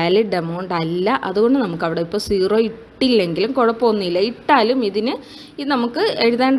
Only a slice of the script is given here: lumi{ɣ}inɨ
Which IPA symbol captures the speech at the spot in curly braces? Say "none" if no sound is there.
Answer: ð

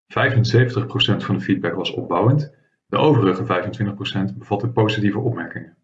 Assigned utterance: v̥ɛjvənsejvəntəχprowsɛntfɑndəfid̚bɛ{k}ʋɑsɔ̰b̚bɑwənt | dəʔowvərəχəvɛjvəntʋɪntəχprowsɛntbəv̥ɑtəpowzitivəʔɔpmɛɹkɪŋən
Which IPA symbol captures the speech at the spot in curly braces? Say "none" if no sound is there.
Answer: k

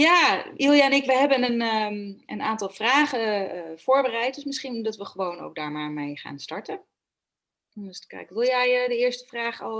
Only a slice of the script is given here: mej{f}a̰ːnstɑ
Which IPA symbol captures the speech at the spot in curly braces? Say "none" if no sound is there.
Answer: χ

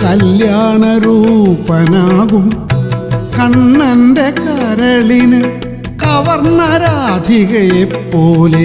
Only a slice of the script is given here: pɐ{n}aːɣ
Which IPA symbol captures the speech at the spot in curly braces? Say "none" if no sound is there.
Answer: n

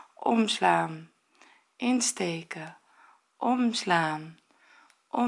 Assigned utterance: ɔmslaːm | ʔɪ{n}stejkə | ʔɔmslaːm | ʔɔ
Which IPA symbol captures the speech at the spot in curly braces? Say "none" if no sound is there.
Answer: n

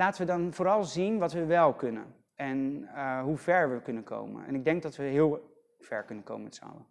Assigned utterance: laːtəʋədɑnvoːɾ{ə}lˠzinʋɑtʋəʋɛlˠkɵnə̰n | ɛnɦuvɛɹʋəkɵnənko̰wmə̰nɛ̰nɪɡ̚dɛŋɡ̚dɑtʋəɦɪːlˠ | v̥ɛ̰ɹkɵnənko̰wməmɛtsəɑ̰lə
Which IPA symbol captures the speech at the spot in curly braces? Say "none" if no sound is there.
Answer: ɑ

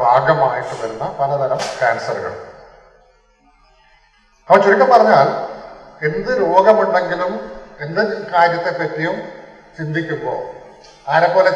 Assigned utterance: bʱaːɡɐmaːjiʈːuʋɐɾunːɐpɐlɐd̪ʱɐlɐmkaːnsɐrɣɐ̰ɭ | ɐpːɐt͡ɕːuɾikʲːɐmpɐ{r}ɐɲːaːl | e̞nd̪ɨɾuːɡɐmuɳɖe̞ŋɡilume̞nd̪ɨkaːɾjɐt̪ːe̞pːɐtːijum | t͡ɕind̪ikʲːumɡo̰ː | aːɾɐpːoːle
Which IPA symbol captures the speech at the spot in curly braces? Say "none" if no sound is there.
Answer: r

